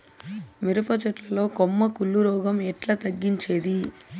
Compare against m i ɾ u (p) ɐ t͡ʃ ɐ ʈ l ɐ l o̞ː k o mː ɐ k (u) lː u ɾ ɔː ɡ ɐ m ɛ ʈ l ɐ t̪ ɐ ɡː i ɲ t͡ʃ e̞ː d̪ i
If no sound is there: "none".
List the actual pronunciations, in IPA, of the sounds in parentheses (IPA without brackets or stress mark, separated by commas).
p, u